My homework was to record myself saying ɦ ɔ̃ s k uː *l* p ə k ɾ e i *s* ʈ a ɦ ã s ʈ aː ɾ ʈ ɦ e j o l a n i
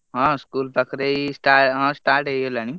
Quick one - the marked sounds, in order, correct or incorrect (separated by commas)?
correct, correct